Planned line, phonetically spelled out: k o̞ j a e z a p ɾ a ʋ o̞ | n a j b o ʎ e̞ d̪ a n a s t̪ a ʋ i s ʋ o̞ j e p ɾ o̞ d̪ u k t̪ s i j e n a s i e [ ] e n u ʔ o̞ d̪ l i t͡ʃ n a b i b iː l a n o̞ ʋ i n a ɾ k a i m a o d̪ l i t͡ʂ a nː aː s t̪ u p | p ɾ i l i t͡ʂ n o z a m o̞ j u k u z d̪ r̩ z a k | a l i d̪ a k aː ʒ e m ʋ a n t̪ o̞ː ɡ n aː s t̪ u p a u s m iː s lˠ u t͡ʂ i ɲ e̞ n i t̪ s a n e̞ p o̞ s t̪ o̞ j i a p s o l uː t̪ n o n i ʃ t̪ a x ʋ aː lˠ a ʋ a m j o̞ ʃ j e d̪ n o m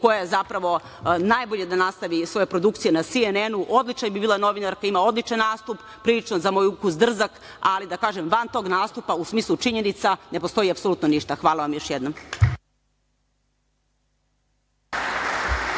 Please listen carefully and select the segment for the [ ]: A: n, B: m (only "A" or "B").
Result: A